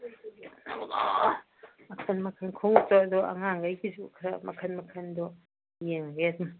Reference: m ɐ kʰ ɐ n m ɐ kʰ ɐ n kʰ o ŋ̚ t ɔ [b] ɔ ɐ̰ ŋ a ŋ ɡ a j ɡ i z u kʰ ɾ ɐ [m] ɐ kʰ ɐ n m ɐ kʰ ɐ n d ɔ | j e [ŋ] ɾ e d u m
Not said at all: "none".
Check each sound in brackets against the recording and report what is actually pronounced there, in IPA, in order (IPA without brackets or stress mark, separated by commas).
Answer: d, m, ŋ